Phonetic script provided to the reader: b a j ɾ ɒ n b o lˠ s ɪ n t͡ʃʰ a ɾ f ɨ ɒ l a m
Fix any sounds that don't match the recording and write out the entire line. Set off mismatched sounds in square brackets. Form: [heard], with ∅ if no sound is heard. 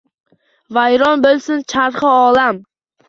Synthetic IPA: [v] a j ɾ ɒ n b o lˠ s ɪ n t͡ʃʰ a ɾ [χ] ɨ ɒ l a m

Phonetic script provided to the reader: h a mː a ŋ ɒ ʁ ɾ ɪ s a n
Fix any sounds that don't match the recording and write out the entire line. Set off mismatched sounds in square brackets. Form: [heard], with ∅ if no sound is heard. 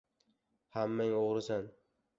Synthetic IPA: h a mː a ŋ [o] ʁ ɾ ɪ s a n

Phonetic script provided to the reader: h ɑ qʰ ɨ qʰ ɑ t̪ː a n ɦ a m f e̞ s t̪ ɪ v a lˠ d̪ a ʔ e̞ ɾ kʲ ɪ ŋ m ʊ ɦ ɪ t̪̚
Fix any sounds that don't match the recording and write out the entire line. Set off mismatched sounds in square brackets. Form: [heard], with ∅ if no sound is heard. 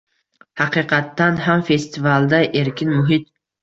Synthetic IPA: h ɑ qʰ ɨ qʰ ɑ t̪ː a n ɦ a m f e̞ s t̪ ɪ v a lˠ d̪ a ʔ e̞ ɾ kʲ ɪ [n] m ʊ ɦ ɪ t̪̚

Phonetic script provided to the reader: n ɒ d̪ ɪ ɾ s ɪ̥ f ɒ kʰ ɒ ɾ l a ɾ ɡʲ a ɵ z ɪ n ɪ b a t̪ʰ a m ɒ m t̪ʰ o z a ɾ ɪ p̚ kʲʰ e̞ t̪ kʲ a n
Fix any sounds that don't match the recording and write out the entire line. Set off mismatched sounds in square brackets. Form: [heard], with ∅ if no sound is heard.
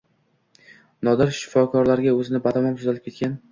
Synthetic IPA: n ɒ d̪ ɪ ɾ [ʃ] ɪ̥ f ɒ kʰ ɒ ɾ l a ɾ ɡʲ a ɵ z ɪ n ɪ b a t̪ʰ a m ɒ m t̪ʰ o z a [l] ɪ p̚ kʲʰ e̞ t̪ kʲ a n

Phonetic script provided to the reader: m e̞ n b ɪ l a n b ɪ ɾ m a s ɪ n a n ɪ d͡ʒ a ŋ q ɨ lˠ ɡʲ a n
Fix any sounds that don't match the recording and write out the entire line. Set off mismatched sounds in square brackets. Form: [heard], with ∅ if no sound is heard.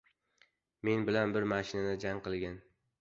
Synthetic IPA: m e̞ n b ɪ l a n b ɪ ɾ m a [ʃ] ɪ n a n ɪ d͡ʒ a ŋ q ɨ lˠ ɡʲ a n

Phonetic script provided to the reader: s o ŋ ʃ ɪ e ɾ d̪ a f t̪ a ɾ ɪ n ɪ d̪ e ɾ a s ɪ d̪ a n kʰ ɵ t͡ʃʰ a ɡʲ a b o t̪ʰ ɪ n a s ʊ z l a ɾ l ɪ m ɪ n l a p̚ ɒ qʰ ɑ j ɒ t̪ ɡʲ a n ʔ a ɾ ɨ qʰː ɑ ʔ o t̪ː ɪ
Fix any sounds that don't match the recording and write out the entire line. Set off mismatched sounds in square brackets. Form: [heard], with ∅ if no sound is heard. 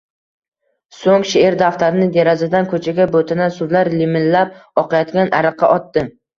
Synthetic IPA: s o ŋ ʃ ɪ e ɾ d̪ a f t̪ a ɾ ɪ n ɪ d̪ e ɾ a [z] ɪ d̪ a n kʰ ɵ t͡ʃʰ a ɡʲ a b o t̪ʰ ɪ n a s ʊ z l a ɾ l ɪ m ɪ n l a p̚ ɒ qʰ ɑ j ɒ t̪ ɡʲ a n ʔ a ɾ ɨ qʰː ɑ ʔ [ɒ] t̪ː ɪ

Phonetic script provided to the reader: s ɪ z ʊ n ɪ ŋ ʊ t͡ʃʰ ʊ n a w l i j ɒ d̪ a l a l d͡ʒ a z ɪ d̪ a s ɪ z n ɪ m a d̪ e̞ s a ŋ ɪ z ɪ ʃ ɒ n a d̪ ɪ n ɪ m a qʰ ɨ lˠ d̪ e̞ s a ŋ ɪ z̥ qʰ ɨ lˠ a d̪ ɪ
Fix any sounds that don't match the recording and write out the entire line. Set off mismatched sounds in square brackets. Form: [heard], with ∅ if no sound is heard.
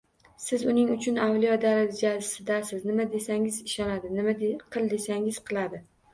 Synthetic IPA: s ɪ z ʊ n ɪ ŋ ʊ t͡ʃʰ ʊ n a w l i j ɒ d̪ a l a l d͡ʒ a [s] ɪ d̪ a s ɪ z n ɪ m a d̪ e̞ s a ŋ ɪ z ɪ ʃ ɒ n a d̪ ɪ n ɪ m a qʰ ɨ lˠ d̪ e̞ s a ŋ ɪ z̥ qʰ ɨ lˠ a d̪ ɪ

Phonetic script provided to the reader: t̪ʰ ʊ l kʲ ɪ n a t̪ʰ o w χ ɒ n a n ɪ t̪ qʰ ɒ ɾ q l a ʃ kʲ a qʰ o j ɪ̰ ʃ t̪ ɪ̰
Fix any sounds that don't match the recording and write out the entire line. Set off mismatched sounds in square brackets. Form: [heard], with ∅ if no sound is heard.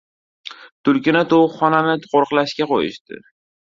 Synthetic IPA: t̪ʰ ʊ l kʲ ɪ n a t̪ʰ o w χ ɒ n a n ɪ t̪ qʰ [o] ɾ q l a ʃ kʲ a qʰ o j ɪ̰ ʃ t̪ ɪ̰

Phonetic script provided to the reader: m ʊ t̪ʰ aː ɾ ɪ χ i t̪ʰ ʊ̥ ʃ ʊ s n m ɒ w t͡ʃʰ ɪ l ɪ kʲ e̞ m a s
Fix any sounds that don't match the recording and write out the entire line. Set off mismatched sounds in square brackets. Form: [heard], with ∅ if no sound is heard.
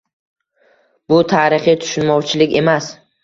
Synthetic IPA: [b] ʊ t̪ʰ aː ɾ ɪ χ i t̪ʰ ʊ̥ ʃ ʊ [∅] n m ɒ w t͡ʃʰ ɪ l ɪ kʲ e̞ m a s

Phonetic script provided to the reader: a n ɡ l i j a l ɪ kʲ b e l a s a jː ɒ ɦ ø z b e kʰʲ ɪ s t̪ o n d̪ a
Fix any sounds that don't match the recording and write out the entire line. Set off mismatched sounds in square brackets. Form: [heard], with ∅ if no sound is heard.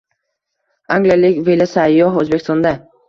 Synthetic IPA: a [ŋ] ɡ l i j a l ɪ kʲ [v] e l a s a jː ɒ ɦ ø z b e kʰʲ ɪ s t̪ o n d̪ a

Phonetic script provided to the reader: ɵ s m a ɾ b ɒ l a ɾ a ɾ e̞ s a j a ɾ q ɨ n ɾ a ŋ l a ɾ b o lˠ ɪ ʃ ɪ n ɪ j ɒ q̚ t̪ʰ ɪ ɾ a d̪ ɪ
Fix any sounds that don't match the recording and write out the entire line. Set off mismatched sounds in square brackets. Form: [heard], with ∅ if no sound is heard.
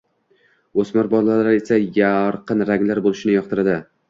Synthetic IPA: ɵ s m a ɾ b ɒ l a [l] a ɾ e̞ s a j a ɾ q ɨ n ɾ a ŋ l a ɾ b o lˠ ɪ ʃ ɪ n ɪ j ɒ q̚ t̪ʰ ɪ ɾ a d̪ ɪ

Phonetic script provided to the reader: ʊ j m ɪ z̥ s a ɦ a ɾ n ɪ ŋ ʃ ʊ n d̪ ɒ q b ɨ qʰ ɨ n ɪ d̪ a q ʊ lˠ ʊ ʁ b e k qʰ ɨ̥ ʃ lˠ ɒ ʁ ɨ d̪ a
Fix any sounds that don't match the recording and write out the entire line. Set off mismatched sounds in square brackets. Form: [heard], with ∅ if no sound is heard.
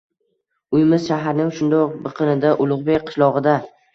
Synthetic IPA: ʊ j m ɪ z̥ [ʃ] a ɦ a ɾ n ɪ ŋ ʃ ʊ n d̪ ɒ q b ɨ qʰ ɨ n ɪ d̪ a [ʔ] ʊ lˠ ʊ ʁ b e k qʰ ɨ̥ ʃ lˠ ɒ ʁ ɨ d̪ a

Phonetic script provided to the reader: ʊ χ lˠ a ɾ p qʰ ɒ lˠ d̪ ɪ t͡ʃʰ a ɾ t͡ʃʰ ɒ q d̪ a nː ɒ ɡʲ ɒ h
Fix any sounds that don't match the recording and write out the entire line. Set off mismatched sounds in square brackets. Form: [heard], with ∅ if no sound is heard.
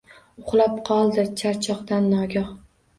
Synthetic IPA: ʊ χ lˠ a [∅] p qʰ ɒ lˠ d̪ ɪ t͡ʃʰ a ɾ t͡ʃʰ ɒ q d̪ a nː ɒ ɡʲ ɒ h

